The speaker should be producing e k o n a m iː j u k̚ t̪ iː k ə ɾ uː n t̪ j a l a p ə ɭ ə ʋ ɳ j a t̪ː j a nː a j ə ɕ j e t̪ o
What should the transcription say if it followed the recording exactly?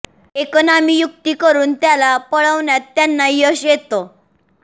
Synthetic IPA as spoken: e k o n a m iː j u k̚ t̪ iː k ə ɾ uː n t̪ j a l a p ə ɭ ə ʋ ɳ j a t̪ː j a nː a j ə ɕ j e t̪ o